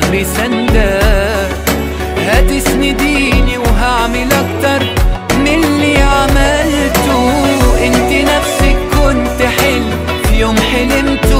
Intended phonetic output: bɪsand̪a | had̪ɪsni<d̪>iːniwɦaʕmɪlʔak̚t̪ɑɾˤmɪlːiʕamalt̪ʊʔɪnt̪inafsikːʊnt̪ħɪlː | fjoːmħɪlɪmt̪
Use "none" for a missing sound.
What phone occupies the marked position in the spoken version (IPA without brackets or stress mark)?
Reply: d̪